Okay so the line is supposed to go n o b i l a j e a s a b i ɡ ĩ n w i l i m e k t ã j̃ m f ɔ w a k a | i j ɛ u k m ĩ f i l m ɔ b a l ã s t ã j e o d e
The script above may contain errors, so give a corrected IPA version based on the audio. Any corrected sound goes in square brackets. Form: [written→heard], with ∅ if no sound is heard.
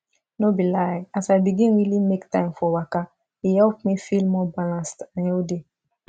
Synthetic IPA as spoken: n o b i l a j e a s a b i ɡ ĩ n w i l i m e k t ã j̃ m f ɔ w a k a | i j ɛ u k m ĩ f i l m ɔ b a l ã s t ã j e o d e